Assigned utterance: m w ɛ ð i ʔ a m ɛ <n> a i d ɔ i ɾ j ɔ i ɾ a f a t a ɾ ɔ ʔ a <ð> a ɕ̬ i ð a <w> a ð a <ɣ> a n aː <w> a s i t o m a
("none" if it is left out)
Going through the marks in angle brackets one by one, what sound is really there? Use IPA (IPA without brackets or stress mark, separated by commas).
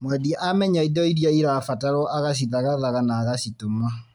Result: ɲ, ɣ, ɣ, ɣ, ɣ